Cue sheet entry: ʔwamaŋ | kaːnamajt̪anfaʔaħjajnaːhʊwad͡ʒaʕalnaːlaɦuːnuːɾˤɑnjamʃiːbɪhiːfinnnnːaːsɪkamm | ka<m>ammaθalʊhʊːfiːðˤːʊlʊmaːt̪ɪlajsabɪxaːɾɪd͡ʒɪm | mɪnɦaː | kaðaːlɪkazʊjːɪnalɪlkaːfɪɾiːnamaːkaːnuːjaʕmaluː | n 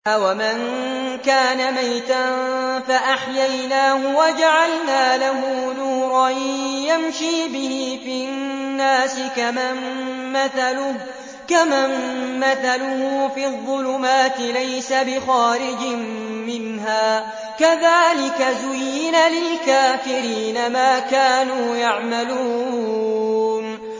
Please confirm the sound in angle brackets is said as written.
yes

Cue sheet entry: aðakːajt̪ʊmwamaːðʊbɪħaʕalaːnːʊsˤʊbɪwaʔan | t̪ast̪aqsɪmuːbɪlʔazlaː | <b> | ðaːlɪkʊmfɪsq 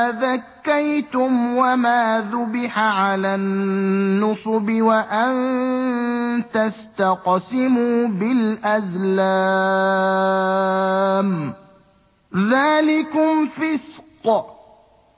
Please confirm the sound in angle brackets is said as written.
no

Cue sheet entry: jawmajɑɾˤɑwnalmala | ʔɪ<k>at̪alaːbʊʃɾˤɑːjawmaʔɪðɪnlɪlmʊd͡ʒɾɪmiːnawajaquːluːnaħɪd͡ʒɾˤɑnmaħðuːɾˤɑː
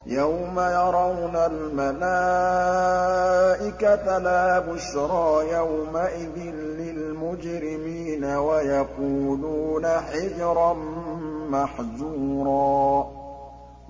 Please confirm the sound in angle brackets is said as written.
yes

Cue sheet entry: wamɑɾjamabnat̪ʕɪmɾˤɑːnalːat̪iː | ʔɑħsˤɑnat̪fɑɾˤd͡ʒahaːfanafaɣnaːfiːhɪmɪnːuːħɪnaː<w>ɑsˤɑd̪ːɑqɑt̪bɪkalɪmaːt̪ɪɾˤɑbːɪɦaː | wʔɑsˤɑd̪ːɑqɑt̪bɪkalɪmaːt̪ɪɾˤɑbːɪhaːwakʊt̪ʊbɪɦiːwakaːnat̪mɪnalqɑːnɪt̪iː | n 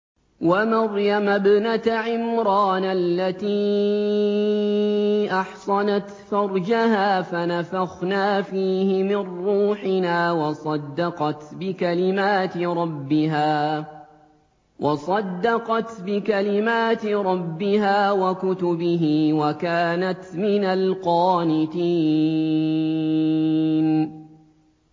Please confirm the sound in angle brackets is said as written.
yes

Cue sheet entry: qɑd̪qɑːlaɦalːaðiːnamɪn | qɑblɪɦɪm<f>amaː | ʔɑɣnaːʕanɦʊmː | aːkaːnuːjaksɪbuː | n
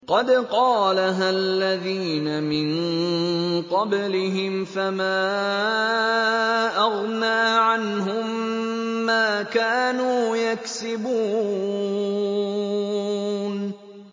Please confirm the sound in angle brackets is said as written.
yes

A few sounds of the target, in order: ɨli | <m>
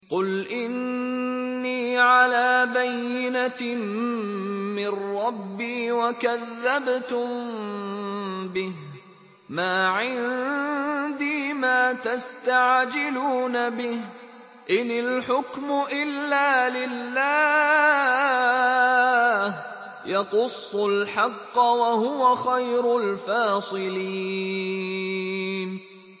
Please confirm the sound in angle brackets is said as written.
no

